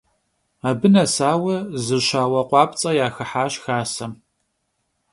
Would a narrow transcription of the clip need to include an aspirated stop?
no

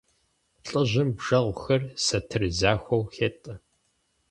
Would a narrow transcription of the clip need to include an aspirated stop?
yes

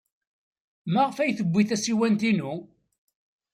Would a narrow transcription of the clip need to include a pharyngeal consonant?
no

